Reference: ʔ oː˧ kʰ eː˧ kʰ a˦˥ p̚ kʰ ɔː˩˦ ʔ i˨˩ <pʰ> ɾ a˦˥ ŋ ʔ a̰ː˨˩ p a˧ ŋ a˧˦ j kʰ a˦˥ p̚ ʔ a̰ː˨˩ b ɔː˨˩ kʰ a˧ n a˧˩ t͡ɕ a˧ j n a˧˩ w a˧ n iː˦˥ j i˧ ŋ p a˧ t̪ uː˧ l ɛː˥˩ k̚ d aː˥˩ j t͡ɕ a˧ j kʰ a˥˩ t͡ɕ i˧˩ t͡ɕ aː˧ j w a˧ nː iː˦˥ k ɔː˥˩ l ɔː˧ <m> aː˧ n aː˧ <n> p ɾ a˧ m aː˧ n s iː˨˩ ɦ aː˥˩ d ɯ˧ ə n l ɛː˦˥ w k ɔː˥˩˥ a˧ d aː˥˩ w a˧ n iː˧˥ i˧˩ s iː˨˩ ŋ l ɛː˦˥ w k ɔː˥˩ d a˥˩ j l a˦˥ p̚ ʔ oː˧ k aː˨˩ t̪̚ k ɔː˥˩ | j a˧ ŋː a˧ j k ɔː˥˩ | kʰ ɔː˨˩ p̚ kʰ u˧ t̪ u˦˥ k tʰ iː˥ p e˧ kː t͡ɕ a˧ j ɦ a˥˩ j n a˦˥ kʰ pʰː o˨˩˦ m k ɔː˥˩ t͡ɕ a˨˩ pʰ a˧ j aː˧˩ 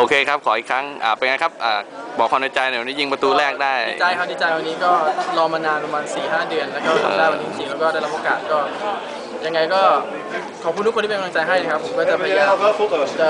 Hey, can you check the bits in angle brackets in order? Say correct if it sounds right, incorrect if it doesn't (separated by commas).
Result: incorrect, correct, correct